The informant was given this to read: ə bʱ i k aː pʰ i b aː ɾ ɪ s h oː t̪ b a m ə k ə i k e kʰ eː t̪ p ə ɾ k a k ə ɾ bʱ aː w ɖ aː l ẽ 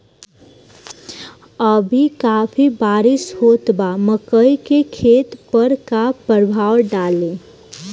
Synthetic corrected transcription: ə bʱ i k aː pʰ i b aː ɾ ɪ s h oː t̪ b a m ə k ə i k e kʰ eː t̪ p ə ɾ k a p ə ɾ bʱ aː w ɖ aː l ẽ

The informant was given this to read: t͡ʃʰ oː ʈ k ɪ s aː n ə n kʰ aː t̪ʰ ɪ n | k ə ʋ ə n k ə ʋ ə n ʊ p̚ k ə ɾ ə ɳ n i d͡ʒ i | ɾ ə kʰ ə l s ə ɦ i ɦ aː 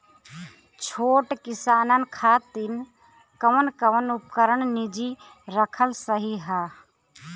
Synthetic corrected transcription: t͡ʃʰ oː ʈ k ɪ s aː n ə n kʰ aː t̪ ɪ n | k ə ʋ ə n k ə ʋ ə n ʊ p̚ k ə ɾ ə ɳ n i d͡ʒ i | ɾ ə kʰ ə l s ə ɦ i ɦ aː

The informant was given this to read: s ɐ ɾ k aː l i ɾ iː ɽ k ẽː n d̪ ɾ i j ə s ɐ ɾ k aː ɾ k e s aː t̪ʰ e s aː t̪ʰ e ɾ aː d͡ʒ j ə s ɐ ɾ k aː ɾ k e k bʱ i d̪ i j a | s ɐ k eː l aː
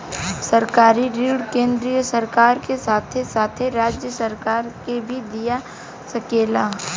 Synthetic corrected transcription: s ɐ ɾ k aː ɾ i ɾ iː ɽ k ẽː n d̪ ɾ i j ə s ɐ ɾ k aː ɾ k e s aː t̪ʰ e s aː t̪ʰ e ɾ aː d͡ʒ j ə s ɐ ɾ k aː ɾ k e bʱ i d̪ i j a | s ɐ k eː l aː

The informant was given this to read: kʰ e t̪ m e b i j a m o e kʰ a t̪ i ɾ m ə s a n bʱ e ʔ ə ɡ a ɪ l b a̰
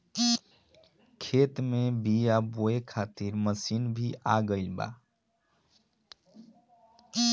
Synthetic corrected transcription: kʰ e t̪ m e b i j a b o e kʰ a t̪ i ɾ m ə s i n bʱ i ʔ a ɡ ə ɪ l b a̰

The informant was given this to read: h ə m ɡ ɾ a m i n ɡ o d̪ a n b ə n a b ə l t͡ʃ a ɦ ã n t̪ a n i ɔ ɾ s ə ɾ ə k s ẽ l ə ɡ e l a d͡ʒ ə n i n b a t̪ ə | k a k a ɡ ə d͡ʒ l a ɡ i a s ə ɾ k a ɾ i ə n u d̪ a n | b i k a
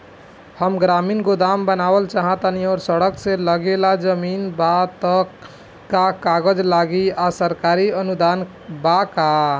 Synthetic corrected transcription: h ə m ɡ ɾ a m i n ɡ o d̪ a m b ə n a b ə l t͡ʃ a ɦ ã t̪ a n i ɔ ɾ s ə ɽ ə k s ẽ l ə ɡ e l a d͡ʒ ə m i n b a t̪ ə | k a k a ɡ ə d͡ʒ l a ɡ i a s ə ɾ k a ɾ i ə n u d̪ a n | b a k a

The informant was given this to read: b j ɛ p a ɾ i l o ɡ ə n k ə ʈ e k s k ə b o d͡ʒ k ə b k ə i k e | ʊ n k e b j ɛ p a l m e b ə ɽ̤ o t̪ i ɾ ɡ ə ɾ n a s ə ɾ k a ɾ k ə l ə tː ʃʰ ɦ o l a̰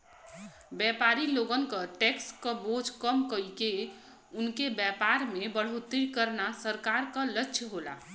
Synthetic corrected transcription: b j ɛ p a ɾ i l o ɡ ə n k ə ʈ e k s k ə b o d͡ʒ k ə m k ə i k e | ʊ n k e b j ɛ p a ɾ m e b ə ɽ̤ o t̪ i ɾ k ə ɾ n a s ə ɾ k a ɾ k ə l ə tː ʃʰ ɦ o l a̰

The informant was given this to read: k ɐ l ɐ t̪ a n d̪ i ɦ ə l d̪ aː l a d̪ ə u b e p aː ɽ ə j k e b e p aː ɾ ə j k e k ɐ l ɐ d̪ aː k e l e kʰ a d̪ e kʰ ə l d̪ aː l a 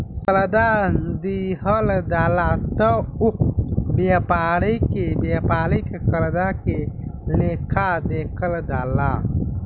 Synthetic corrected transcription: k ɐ l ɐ d̪ a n d̪ i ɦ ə l d̪ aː l a t̪ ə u b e p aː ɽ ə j k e b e p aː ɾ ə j k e k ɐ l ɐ d̪ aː k e l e kʰ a d̪ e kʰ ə l d̪ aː l a

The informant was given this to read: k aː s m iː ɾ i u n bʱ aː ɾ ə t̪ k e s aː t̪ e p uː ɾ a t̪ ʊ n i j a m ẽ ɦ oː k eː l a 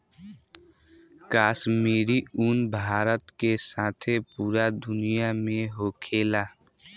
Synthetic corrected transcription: k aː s m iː ɾ i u n bʱ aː ɾ ə t̪ k e s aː t̪ʰ e p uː ɾ a d̪ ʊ n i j a m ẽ ɦ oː kʰ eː l a

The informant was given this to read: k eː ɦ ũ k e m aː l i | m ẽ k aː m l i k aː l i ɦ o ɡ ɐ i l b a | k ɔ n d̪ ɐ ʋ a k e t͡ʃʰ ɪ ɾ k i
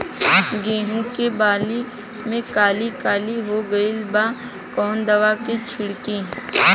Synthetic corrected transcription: ɡ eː ɦ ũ k e b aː l i | m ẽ k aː l i k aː l i ɦ o ɡ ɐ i l b a | k ɔː n d̪ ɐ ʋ a k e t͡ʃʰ ɪ ɽ k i

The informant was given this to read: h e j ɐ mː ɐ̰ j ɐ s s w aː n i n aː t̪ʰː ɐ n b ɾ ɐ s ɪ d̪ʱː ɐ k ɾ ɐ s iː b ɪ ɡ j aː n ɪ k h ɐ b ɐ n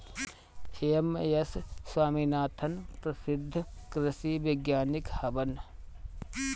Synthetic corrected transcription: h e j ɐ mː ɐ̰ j ɐ s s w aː m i n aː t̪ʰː ɐ n p ɾ ɐ s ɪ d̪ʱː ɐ k ɾ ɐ s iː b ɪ ɡ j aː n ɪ k h ɐ b ɐ n

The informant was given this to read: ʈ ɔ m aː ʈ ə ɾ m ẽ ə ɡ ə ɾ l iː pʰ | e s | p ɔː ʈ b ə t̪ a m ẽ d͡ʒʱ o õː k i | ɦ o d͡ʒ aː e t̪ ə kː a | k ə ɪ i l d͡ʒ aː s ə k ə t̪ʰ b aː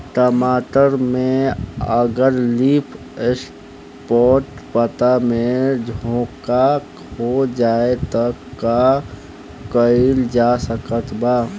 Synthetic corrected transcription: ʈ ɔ m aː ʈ ə ɾ m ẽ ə ɡ ə ɾ l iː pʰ | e s | p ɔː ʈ p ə t̪ a m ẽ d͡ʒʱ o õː k a | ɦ o d͡ʒ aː e t̪ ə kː a | k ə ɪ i l d͡ʒ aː s ə k ə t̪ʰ b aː

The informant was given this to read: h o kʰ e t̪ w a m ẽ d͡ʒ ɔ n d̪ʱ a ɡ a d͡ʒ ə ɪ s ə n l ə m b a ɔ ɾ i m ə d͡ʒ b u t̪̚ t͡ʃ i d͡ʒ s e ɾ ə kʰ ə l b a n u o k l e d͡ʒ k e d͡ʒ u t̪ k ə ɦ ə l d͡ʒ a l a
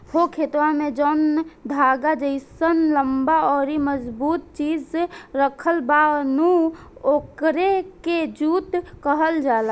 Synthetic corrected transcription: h o kʰ e t̪ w a m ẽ d͡ʒ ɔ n d̪ʱ a ɡ a d͡ʒ ə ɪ s ə n l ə m b a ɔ ɾ i m ə d͡ʒ b u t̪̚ t͡ʃ i d͡ʒ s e ɾ ə kʰ ə l b a n u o k ɾ e k e d͡ʒ u t̪ k ə ɦ ə l d͡ʒ a l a

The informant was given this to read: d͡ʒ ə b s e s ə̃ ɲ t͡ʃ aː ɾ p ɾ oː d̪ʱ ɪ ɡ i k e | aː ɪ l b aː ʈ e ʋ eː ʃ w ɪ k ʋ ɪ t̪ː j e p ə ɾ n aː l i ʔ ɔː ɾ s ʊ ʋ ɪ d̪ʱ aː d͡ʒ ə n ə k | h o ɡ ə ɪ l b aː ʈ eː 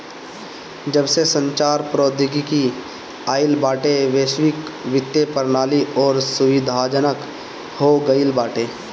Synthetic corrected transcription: d͡ʒ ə b s e s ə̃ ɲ t͡ʃ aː ɾ p ɾ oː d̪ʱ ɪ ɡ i k i | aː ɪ l b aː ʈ e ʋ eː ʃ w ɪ k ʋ ɪ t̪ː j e p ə ɾ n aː l i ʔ ɔː ɾ s ʊ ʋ ɪ d̪ʱ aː d͡ʒ ə n ə k | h o ɡ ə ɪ l b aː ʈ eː

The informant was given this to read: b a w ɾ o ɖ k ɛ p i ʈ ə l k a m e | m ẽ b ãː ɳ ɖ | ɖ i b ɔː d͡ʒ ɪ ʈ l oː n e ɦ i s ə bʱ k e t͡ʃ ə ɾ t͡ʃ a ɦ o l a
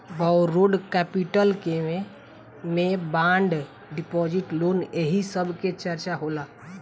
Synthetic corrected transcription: b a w ɾ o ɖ k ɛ p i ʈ ə l k e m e | m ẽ b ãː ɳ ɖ | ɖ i p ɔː d͡ʒ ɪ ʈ l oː n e ɦ i s ə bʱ k e t͡ʃ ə ɾ t͡ʃ a ɦ o l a

